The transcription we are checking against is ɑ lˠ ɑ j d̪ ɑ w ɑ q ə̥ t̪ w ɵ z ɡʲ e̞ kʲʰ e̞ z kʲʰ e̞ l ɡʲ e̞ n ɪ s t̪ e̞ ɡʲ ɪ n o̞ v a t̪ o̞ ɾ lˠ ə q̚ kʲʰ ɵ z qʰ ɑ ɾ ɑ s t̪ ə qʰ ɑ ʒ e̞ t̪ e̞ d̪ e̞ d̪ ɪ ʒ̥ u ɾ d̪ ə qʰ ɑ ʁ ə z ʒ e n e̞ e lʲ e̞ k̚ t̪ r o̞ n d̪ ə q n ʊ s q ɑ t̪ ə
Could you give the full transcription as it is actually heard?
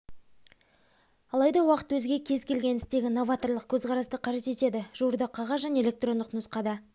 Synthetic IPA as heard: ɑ lˠ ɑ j d̪ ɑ w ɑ q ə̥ t̪ w ɵ z ɡʲ e̞ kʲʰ e̞ z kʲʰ e̞ l ɡʲ e̞ n ɪ s t̪ e̞ ɡʲ ɪ n o̞ v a t̪ o̞ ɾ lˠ ə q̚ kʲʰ ɵ z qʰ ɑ ɾ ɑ s t̪ ə qʰ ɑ ʒ e̞ t̪ e̞ t̪ e̞ d̪ ɪ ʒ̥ u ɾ d̪ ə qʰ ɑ ʁ ɑ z ʒ æ n e̞ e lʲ e̞ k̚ t̪ r o̞ n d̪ ə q n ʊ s q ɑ d̪ ə